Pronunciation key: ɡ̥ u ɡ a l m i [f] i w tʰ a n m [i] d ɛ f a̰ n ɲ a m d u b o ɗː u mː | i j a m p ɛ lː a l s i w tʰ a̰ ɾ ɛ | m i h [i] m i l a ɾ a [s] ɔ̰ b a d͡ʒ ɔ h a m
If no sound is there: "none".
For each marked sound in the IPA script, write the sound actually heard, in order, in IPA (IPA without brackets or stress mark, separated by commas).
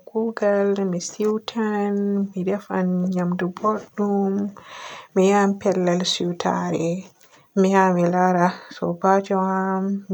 s, i, a, s